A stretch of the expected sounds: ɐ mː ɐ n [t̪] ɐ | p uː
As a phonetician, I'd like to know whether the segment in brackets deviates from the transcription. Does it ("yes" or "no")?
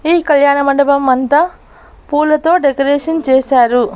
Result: no